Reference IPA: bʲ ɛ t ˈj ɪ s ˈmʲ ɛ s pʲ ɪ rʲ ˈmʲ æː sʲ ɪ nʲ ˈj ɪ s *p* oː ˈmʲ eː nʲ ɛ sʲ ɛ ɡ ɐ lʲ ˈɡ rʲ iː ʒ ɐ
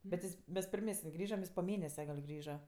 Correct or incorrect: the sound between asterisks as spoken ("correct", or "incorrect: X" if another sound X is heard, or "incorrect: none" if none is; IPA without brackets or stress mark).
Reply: correct